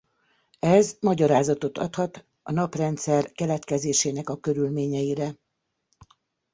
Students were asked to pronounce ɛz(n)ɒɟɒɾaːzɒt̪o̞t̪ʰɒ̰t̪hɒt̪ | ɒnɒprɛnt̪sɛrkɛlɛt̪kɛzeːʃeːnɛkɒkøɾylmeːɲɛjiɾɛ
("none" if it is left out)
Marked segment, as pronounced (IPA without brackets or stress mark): m